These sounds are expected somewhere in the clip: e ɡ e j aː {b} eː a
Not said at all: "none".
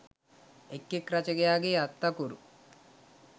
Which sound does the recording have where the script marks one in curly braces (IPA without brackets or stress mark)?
ɡ